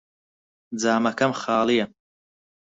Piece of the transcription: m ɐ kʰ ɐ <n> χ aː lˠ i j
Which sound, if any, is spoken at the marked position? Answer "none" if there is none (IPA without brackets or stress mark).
m